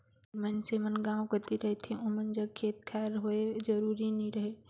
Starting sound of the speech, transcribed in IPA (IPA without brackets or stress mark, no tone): m